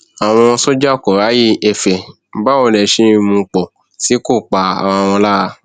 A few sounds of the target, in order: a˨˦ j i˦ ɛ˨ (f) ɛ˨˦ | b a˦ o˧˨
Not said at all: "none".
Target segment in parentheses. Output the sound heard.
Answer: f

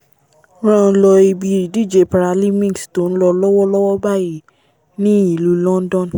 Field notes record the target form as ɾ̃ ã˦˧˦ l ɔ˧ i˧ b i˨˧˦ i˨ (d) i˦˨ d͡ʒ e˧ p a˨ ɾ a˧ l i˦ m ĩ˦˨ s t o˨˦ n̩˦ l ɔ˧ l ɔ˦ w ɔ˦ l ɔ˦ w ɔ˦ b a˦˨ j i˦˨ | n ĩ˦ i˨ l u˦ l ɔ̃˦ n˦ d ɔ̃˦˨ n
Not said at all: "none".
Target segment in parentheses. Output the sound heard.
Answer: d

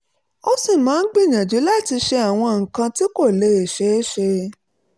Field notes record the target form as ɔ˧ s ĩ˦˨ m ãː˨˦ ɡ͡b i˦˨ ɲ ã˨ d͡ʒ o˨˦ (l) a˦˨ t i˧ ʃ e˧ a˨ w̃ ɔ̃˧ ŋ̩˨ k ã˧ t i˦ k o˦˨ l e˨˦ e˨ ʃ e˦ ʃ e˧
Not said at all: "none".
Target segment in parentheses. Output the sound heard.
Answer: l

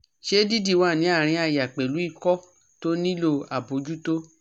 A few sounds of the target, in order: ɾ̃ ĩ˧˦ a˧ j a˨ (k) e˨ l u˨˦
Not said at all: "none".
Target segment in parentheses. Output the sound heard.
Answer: k͡p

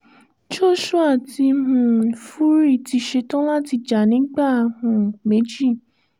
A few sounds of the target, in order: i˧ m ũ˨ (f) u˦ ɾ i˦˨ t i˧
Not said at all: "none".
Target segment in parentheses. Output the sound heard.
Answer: f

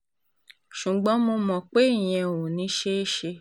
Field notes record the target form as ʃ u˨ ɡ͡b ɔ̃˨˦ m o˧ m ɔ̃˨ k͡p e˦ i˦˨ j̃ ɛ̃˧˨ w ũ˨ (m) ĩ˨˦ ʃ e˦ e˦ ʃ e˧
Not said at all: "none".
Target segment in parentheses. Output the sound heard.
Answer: n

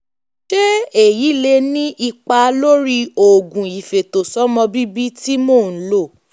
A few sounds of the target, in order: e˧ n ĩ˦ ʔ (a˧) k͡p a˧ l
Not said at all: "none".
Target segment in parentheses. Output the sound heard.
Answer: i˧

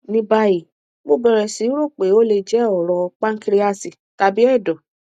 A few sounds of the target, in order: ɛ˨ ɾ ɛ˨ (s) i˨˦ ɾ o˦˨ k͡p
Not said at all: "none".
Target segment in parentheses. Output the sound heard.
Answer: s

